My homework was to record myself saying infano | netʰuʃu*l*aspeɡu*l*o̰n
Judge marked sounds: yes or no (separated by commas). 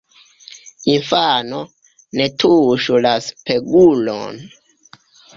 yes, yes